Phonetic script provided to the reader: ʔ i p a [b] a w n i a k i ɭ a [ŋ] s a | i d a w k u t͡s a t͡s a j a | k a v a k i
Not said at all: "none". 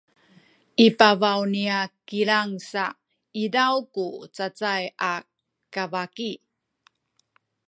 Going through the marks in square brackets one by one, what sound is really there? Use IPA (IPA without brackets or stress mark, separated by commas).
v, ŋ